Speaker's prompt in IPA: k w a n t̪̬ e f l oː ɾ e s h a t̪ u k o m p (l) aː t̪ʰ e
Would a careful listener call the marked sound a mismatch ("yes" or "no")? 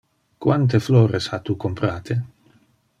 yes